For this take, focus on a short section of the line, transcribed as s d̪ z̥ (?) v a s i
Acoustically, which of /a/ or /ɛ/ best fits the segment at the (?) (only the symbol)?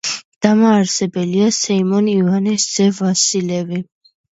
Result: ɛ